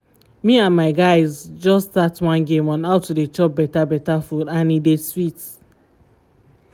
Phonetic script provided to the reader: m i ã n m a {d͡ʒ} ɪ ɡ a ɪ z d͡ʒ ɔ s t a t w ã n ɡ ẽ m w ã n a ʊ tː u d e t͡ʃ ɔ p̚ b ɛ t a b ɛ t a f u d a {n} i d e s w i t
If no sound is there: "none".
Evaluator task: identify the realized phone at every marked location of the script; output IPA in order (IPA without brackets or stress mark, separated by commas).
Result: none, n